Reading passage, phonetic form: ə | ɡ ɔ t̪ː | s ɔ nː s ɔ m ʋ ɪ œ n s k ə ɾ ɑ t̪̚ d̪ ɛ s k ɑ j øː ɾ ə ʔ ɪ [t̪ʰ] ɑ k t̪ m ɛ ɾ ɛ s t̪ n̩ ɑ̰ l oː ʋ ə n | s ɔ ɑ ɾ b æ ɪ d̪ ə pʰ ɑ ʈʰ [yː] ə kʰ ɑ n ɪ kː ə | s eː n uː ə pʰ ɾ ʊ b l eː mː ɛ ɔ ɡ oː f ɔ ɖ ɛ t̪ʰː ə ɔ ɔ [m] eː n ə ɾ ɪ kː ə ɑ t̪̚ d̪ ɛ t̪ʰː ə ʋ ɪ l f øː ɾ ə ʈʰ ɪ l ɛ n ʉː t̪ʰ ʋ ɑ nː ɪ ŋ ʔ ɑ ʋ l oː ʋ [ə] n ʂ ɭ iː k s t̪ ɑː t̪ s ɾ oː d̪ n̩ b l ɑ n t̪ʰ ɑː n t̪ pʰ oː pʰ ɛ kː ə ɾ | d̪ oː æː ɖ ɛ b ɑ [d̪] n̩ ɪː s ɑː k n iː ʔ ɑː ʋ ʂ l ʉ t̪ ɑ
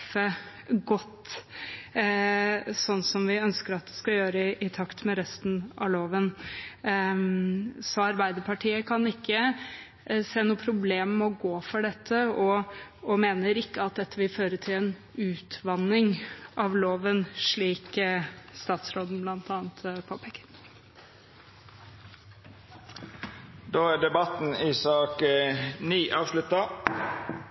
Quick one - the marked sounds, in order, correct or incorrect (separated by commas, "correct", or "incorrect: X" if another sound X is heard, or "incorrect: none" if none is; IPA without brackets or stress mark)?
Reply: correct, incorrect: iː, correct, correct, incorrect: t̪